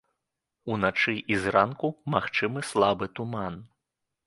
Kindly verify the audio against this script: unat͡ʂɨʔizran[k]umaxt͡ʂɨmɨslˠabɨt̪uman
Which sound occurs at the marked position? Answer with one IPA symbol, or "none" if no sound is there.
k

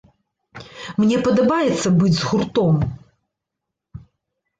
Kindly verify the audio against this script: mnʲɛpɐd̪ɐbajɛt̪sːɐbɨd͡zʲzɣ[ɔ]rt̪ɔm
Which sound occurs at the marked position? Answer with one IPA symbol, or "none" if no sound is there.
u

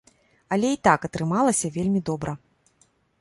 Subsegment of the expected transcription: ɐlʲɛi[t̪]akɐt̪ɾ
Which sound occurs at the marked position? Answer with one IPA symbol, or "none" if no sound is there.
t̪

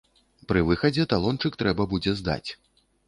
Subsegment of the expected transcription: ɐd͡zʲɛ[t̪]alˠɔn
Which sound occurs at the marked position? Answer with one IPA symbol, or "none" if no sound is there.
t̪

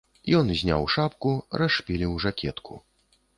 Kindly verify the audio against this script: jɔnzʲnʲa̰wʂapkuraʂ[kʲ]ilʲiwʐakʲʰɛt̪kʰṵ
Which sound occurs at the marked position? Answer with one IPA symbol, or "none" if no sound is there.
pʲ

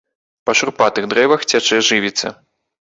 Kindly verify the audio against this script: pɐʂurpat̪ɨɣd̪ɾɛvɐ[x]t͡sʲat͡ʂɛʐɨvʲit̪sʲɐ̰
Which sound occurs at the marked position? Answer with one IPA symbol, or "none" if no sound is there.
x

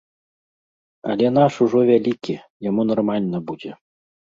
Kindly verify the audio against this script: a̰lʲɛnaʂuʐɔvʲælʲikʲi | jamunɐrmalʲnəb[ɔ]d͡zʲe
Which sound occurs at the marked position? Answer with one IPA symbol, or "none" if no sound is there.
u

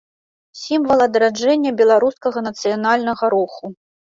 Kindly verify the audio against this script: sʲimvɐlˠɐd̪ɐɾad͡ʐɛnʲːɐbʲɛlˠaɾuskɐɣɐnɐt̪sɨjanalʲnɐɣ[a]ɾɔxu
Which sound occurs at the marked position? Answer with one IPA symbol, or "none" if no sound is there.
ɐ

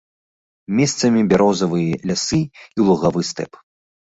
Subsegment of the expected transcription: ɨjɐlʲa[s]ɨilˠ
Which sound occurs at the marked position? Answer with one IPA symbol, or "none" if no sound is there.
s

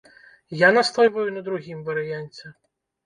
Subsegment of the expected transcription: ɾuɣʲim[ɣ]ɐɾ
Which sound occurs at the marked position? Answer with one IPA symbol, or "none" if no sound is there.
v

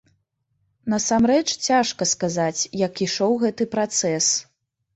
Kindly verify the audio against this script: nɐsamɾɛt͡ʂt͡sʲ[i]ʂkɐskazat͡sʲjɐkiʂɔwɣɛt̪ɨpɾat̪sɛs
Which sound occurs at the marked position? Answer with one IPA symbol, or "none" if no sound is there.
a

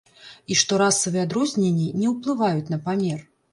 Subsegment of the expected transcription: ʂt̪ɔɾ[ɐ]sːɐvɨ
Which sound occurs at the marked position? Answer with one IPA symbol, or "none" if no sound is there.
a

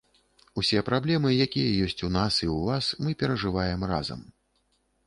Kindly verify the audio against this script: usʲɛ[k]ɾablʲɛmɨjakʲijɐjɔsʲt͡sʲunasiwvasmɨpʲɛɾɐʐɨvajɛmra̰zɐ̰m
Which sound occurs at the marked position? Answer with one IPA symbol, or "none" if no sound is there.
p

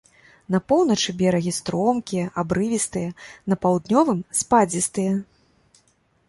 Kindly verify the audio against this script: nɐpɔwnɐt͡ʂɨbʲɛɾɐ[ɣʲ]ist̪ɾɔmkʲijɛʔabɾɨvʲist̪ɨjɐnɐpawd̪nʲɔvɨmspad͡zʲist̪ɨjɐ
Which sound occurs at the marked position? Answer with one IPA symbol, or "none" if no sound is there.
ɣʲ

